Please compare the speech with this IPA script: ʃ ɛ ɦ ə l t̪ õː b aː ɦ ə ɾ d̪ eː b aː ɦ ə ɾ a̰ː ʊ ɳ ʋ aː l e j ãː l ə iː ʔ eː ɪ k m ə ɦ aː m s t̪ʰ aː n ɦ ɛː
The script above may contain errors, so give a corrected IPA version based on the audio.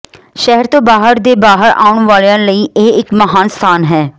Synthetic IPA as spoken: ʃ ɛ ɦ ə ɾ t̪ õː b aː ɦ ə ɾ d̪ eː b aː ɦ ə ɾ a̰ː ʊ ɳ ʋ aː l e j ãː l ə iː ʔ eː ɪ k m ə ɦ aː n s t̪ʰ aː n ɦ ɛː